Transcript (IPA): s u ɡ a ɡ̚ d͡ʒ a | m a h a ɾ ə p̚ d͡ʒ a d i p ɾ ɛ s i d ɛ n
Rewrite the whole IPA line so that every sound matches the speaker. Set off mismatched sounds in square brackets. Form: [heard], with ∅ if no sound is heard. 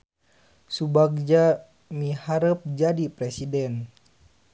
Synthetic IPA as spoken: s u [b] a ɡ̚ d͡ʒ a | m [i] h a ɾ ə p̚ d͡ʒ a d i p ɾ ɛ s i d ɛ n